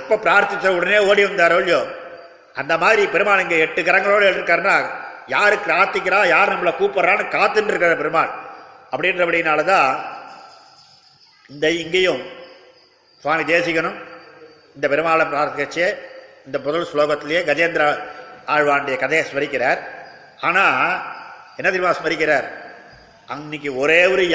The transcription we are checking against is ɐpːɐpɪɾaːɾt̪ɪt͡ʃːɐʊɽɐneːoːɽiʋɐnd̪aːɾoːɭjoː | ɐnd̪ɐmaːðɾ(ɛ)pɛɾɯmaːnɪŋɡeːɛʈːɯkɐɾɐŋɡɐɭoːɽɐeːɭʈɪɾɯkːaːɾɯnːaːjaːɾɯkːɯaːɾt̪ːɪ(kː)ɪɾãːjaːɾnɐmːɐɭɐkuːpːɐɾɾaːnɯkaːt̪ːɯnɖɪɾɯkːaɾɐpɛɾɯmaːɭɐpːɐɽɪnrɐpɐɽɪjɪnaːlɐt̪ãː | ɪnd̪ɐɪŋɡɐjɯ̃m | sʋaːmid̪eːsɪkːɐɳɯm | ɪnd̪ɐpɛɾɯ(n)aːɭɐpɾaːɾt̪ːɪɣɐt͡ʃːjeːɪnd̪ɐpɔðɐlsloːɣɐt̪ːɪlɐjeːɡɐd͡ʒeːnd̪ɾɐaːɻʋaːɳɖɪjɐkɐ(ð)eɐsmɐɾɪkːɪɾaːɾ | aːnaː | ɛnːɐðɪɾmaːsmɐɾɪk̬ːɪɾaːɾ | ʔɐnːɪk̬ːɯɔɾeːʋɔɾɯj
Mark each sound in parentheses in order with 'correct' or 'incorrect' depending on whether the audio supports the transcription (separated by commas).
incorrect, correct, incorrect, correct